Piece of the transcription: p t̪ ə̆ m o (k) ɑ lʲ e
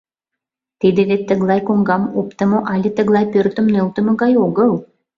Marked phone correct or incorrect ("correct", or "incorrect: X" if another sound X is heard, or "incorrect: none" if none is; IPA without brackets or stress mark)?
incorrect: ʔ